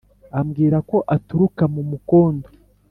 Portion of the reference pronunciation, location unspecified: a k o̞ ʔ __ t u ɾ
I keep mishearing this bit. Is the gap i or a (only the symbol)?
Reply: a